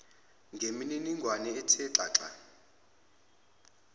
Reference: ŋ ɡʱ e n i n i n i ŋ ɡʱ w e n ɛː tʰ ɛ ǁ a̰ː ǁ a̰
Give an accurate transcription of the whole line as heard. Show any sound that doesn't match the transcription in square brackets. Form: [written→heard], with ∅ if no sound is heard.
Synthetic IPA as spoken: ŋ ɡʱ e [n→m] i n i n i ŋ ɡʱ w [e→a] n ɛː tʰ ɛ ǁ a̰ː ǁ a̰